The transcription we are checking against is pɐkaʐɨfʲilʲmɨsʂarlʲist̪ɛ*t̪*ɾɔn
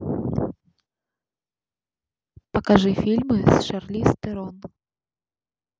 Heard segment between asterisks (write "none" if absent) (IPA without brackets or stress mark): none